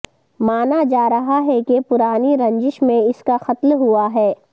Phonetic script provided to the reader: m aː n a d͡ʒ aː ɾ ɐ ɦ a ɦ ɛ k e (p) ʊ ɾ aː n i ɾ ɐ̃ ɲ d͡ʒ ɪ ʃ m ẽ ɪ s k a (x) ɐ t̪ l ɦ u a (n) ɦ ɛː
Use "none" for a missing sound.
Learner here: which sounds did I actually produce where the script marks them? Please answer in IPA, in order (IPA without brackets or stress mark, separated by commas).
p, x, none